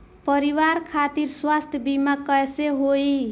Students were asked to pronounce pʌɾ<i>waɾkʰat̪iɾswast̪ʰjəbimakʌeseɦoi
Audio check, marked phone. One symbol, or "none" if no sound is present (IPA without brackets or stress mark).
i